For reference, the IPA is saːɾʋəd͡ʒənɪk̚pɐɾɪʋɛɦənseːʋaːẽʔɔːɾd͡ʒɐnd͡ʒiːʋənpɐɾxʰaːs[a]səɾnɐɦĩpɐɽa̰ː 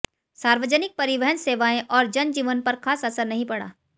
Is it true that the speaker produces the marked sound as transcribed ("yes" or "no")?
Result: no